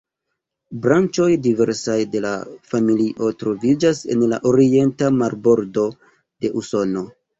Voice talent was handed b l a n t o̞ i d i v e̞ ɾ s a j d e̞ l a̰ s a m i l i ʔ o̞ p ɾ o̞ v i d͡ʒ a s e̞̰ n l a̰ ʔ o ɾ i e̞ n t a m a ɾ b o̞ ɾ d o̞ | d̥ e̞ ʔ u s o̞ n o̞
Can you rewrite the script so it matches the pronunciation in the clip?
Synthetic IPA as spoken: b ɾ a n t͡ʃ o̞ j d i v e̞ ɾ s a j d e̞ l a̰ f a m i l i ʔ o̞ t ɾ o̞ v i d͡ʒ a s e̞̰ n l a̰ ʔ o ɾ i e̞ n t a m a ɾ b o̞ ɾ d o̞ | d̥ e̞ ʔ u s o̞ n o̞